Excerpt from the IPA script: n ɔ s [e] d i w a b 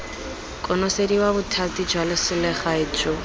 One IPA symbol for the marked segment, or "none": e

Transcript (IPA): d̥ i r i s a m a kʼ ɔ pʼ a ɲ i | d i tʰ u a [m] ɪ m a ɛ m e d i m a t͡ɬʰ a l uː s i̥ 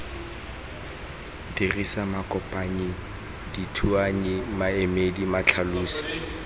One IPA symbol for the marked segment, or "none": ɲ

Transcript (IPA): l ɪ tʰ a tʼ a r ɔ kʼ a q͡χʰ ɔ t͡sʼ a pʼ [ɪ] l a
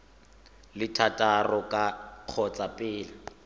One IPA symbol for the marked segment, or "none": ɪː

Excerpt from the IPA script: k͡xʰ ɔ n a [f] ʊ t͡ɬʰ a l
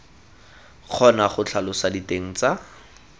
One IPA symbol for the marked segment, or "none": χ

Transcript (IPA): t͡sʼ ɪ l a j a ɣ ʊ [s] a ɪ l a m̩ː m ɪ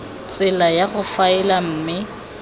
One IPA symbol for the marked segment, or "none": f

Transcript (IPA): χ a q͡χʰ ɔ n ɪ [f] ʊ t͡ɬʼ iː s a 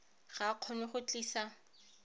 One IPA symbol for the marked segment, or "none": χ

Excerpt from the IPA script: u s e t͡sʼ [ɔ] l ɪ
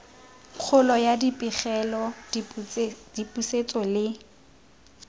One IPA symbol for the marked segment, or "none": ɔ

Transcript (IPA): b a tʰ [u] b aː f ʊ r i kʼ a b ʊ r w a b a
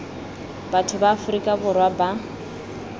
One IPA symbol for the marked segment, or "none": ʊ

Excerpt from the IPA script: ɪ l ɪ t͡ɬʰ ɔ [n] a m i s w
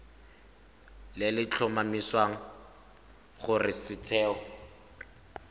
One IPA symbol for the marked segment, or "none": m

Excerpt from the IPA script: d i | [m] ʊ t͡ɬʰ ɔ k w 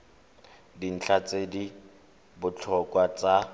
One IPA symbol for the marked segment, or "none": b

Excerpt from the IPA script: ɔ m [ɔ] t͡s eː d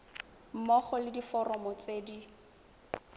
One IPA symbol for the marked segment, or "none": ɔ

